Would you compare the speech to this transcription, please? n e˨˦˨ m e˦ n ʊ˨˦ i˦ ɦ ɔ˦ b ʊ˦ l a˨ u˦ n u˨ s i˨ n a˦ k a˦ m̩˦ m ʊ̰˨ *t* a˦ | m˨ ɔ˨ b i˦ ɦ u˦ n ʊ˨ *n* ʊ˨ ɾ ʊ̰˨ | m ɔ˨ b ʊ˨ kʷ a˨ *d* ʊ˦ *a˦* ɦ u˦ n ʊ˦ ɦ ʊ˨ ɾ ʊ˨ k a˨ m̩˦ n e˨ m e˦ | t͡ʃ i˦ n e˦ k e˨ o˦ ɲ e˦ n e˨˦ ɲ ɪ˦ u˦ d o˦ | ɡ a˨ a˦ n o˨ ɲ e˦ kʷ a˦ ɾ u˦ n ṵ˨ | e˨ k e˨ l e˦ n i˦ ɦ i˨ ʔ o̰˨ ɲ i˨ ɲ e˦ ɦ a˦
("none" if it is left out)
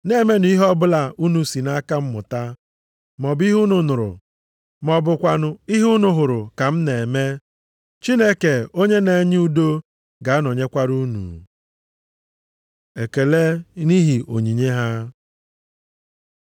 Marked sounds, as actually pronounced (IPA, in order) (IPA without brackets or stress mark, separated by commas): t, n, n, i˦